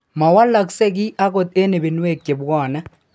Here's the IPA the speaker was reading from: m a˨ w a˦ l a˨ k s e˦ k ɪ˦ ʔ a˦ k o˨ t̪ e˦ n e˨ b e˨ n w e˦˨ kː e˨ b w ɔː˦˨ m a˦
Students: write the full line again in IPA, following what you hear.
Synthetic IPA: m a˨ w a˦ l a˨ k s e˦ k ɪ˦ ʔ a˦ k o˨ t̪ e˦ n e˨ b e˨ n w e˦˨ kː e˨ b w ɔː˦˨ n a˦